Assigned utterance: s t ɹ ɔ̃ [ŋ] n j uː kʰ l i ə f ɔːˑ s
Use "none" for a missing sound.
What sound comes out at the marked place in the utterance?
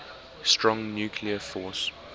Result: ŋ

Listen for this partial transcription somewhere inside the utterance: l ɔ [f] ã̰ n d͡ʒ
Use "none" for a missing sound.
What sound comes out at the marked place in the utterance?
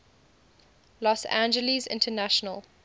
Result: s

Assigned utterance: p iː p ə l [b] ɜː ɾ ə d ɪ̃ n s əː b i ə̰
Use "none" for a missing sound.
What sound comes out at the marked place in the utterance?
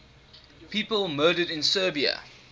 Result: m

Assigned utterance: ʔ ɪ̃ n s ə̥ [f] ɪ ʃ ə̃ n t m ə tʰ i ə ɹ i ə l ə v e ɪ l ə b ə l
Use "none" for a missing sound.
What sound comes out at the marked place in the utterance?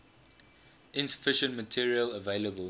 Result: f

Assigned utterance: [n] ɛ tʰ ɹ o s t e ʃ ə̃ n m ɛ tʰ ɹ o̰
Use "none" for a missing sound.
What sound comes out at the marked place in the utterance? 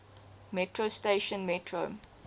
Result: m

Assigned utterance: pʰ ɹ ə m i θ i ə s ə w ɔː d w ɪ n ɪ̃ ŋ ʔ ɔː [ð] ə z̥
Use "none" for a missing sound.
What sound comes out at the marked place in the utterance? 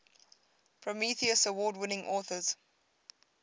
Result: θ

